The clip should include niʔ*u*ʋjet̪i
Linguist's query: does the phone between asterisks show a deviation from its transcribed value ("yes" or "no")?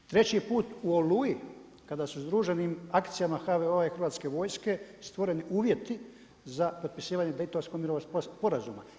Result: yes